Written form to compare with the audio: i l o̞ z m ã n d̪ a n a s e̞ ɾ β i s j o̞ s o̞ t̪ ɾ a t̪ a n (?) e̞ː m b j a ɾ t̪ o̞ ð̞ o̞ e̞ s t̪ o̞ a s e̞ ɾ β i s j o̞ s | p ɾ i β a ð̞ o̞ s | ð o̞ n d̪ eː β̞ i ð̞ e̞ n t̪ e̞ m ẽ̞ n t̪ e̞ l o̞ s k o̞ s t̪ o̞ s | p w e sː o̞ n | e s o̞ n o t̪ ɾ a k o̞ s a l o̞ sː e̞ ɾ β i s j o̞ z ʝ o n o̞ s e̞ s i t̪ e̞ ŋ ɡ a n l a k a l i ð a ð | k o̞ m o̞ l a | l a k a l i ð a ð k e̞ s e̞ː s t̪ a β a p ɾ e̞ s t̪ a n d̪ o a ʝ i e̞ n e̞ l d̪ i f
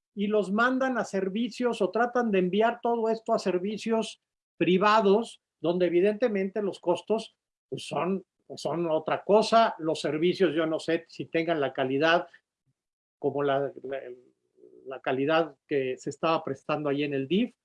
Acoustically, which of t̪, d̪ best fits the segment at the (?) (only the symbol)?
d̪